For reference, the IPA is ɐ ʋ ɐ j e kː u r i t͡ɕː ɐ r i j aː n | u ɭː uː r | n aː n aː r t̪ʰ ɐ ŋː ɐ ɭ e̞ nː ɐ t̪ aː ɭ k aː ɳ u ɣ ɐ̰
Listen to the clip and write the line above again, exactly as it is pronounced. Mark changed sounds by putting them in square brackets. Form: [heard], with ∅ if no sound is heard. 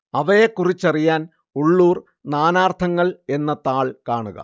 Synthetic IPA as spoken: ɐ ʋ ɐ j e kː u r i t͡ɕː ɐ r i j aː n | u ɭː uː r | n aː n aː r t̪ʰ ɐ ŋː ɐ ɭ e̞ nː ɐ t̪ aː ɭ k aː ɳ u ɣ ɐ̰